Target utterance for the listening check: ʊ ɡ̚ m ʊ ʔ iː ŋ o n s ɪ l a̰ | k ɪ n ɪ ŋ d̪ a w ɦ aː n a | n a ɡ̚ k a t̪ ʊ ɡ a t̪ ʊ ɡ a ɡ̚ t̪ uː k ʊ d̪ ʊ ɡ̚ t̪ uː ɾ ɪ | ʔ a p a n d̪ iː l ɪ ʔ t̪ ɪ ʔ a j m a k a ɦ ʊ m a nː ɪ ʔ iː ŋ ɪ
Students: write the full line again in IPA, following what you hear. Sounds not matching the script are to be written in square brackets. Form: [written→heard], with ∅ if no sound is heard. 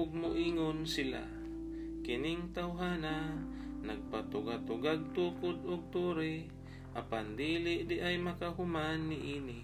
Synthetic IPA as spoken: ʊ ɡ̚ m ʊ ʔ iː ŋ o n s ɪ l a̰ | k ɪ n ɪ ŋ [d̪→t̪] a w ɦ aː n a | n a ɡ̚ [k→p] a t̪ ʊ ɡ a t̪ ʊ ɡ a ɡ̚ t̪ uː k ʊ d̪ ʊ ɡ̚ t̪ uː ɾ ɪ | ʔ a p a n d̪ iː l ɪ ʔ [t̪→d̪] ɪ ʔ a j m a k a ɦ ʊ m a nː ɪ ʔ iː [ŋ→n] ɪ